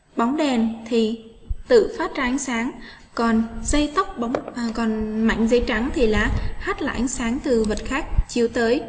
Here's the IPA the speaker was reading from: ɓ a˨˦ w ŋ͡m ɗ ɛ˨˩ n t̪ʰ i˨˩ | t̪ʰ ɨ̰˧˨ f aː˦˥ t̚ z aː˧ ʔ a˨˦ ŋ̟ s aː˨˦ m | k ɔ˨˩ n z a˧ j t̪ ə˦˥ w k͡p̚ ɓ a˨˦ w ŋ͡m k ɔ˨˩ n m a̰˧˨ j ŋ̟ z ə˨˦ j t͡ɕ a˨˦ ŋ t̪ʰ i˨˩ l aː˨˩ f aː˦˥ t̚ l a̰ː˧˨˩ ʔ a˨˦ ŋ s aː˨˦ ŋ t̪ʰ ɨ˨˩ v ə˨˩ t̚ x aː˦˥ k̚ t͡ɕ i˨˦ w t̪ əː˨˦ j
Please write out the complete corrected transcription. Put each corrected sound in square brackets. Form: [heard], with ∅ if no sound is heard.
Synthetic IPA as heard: ɓ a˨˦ w ŋ͡m ɗ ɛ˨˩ n t̪ʰ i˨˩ | [t̪] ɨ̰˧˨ f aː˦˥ t̚ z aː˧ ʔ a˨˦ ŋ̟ s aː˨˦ [ŋ] | k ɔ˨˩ n z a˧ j t̪ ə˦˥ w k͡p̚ ɓ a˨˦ w ŋ͡m k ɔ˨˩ n m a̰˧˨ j ŋ̟ z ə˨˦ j t͡ɕ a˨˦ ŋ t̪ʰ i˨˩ l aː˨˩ [h] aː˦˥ t̚ l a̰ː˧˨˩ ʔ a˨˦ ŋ s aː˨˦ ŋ [t̪] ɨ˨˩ v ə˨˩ t̚ x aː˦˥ k̚ t͡ɕ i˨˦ w t̪ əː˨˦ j